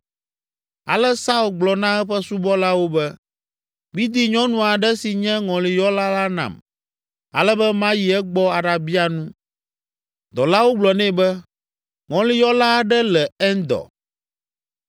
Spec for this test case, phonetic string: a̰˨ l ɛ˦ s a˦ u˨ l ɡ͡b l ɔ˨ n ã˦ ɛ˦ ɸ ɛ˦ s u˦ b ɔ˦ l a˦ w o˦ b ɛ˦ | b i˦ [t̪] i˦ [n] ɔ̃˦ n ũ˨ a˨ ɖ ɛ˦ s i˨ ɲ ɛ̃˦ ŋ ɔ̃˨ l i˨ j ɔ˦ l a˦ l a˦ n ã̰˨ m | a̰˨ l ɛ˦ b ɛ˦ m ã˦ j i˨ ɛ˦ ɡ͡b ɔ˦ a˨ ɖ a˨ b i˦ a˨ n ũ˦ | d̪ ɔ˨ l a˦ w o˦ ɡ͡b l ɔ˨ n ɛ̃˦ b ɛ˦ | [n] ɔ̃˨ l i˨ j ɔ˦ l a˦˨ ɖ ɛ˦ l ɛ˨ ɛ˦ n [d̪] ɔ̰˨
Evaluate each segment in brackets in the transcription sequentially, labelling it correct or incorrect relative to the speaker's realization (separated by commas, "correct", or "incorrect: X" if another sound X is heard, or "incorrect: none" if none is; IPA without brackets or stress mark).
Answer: incorrect: d̪, incorrect: ɲ, incorrect: ŋ, correct